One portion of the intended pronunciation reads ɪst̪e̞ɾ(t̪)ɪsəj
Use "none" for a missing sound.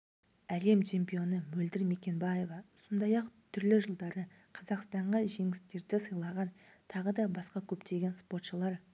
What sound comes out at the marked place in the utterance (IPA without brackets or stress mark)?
d̪